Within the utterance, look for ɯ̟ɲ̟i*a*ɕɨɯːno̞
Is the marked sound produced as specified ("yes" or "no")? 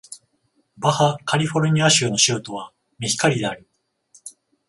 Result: yes